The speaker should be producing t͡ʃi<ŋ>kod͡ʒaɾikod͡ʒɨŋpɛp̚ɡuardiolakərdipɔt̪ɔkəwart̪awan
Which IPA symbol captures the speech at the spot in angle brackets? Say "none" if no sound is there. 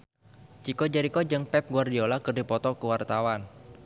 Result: none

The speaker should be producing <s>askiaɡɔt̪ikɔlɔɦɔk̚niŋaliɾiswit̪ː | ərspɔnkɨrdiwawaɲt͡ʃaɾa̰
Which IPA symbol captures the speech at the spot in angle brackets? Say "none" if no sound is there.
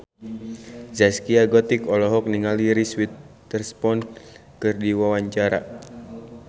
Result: z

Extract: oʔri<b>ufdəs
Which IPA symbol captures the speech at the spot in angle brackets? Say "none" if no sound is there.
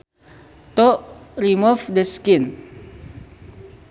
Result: m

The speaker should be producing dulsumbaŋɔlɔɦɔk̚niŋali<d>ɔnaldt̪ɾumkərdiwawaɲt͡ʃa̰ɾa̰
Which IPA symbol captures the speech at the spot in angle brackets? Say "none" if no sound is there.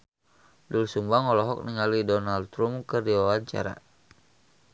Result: d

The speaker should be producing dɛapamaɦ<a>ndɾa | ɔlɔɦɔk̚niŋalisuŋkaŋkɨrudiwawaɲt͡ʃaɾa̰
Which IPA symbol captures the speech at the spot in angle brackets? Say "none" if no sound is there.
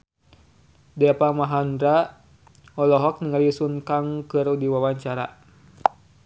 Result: a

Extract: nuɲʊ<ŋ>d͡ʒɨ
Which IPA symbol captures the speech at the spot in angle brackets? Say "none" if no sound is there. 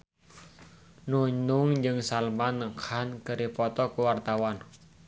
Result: ŋ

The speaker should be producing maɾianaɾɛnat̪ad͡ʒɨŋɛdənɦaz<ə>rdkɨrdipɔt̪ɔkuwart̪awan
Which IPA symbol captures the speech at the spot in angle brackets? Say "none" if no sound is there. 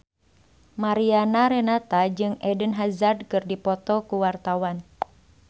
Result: a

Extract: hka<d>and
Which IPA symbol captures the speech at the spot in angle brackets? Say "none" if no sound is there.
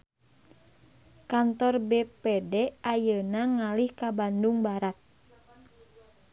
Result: b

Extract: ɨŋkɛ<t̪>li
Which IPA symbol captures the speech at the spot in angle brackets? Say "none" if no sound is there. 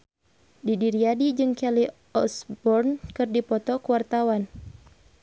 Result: none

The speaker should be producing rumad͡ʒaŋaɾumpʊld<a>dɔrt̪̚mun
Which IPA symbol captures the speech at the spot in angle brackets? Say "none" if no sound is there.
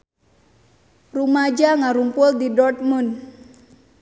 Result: i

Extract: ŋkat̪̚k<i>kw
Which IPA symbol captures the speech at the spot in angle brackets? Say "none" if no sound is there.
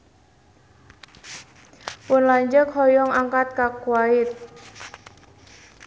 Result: a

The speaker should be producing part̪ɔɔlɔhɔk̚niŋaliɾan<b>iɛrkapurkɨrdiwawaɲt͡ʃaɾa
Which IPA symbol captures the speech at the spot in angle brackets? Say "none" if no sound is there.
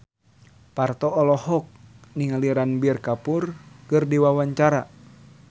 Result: b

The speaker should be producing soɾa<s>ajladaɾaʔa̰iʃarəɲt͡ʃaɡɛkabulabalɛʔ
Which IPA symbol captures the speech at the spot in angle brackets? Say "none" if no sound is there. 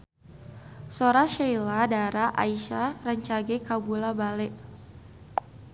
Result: ʃ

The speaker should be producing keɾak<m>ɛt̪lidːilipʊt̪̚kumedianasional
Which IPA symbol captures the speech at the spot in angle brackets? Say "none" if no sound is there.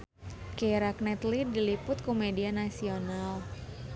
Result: n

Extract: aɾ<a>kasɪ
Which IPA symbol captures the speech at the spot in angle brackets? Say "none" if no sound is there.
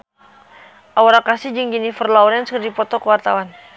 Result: a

